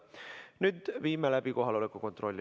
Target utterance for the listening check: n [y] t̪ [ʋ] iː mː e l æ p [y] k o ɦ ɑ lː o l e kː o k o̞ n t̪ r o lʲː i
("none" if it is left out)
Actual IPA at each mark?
y, ʋ, i

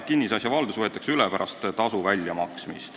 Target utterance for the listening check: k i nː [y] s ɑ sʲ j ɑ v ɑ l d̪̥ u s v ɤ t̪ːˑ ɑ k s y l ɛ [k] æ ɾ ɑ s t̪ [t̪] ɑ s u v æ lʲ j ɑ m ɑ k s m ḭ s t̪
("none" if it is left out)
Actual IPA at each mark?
i, p, t̪

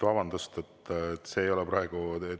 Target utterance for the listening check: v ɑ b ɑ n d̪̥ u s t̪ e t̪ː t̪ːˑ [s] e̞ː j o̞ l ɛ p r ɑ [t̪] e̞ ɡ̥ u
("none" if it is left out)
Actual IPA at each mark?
s, none

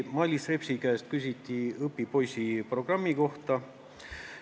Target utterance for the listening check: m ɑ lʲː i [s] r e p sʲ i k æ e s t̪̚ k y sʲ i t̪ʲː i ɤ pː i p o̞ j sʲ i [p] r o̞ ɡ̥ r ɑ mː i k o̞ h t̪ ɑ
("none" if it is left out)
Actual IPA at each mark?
s, p

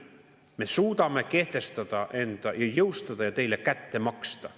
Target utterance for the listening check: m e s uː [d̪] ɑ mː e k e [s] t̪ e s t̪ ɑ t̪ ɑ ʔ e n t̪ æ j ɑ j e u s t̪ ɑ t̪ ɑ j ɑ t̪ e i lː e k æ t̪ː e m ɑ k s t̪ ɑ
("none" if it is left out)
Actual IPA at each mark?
t̪, h

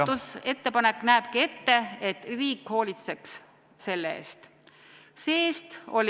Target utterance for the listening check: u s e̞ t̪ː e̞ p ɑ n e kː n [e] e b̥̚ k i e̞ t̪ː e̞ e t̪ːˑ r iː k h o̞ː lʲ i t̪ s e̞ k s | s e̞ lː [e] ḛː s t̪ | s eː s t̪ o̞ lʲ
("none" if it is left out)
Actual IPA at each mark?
æ, e

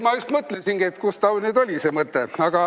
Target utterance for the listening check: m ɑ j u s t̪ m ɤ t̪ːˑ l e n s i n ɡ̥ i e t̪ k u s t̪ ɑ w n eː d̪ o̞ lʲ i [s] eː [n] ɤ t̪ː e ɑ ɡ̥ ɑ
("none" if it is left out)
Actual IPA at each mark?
s, m

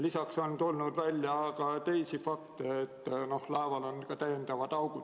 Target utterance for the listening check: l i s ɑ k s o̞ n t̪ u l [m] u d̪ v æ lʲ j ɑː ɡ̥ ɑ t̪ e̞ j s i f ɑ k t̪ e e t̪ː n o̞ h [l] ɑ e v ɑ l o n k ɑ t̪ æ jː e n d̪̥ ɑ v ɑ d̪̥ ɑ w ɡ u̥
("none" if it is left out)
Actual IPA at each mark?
n, l

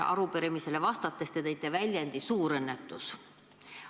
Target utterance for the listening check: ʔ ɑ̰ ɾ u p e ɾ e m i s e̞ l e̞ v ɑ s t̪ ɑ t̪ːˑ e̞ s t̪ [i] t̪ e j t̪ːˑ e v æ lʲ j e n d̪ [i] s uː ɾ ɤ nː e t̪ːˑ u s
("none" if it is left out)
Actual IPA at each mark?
e, i

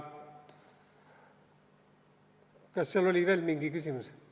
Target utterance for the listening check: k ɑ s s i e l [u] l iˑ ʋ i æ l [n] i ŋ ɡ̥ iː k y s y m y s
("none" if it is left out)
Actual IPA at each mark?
o, m

